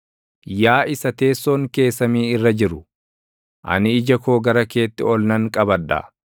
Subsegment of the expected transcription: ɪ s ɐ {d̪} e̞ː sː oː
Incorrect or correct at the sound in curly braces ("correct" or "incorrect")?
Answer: incorrect